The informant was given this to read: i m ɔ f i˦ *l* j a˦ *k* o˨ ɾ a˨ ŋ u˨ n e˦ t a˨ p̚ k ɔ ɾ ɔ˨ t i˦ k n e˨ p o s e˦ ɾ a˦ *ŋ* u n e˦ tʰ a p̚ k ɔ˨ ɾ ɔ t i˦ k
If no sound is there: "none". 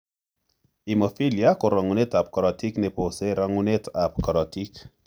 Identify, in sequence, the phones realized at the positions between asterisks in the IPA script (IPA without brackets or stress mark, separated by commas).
l, k, ŋ